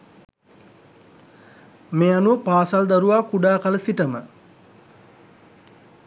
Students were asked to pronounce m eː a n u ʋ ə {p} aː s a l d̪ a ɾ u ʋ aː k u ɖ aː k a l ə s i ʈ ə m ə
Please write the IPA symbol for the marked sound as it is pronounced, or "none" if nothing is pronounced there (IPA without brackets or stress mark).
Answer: p